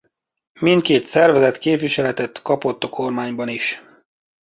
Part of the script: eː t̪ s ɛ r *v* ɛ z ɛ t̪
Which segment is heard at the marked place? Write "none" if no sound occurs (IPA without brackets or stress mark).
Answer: v